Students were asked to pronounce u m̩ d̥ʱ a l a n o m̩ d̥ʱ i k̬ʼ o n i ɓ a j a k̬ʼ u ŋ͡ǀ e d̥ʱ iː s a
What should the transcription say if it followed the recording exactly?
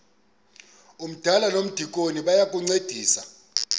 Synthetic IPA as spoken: u m̩ d̥ʱ a l a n o m̩ d̥ʱ i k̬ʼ o n i ɓ a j a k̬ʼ u ŋ͡ǀ e d̥ʱ iː s a